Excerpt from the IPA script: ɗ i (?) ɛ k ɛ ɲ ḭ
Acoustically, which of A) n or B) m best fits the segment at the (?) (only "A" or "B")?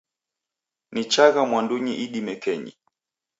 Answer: B